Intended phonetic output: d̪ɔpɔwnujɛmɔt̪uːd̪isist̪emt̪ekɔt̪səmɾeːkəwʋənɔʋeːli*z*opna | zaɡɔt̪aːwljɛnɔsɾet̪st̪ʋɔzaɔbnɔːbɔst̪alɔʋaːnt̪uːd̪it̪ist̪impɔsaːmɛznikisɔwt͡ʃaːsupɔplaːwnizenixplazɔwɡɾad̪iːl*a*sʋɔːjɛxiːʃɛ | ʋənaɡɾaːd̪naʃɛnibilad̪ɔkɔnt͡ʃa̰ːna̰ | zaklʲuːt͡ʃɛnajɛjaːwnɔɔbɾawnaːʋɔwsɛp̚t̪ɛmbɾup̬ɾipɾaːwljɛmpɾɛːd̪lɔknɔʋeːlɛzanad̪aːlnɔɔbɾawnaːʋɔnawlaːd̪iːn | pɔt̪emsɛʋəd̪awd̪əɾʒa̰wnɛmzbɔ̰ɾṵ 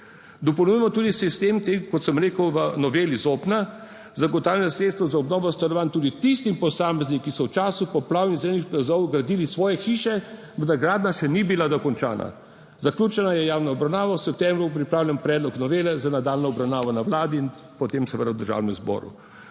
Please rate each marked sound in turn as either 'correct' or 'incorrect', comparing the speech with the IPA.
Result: correct, incorrect

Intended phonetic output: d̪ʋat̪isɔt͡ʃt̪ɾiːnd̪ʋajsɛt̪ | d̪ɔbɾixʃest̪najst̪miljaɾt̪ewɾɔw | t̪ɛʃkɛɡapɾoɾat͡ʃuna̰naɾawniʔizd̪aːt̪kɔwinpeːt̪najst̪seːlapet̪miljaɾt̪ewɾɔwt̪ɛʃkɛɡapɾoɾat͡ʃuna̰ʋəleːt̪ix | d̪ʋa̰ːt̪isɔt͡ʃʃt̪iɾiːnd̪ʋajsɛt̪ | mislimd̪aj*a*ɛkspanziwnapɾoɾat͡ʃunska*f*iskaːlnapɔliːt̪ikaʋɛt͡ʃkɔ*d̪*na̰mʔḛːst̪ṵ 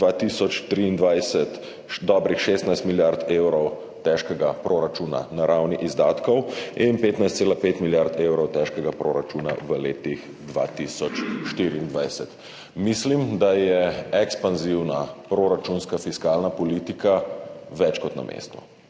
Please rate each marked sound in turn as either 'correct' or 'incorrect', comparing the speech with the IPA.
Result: incorrect, correct, incorrect

